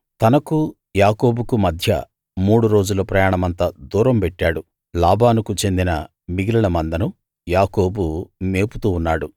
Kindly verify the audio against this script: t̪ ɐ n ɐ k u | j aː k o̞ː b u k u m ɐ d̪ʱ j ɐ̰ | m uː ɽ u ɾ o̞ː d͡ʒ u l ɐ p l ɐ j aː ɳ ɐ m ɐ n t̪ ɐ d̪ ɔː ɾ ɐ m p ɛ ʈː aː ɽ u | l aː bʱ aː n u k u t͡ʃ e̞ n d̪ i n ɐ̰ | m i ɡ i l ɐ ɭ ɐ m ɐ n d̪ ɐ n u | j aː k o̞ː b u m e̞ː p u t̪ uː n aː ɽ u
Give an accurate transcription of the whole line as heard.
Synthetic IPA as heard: t̪ ɐ n ɐ k u | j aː k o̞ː b u k u m ɐ d̪ʱ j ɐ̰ | m uː ɽ u ɾ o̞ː d͡ʒ u l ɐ p ɾ ɐ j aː ɳ ɐ m ɐ n t̪ ɐ d̪ uː ɾ ɐ m p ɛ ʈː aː ɽ u | l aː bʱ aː n u k u t͡ʃ e̞ n d̪ i n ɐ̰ | m i ɡ i l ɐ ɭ ɐ m ɐ n d̪ ɐ n u | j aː k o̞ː b u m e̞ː p u t̪ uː nː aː ɽ u